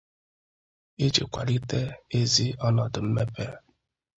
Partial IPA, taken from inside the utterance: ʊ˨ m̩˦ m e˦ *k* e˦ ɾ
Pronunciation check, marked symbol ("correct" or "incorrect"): incorrect